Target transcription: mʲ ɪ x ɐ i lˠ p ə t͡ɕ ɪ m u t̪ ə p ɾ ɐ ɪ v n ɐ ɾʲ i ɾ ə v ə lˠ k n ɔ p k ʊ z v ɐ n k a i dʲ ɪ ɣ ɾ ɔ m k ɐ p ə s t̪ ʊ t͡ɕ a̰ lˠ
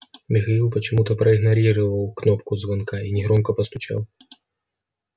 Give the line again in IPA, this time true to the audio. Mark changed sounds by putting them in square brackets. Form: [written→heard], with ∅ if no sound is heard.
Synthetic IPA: mʲ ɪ x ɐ i lˠ p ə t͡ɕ ɪ m u t̪ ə p ɾ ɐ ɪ [v→ɣ] n ɐ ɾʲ i ɾ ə v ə lˠ k n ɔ p k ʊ z v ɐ n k a i [dʲ→nʲ] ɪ ɣ ɾ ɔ m k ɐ p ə s t̪ ʊ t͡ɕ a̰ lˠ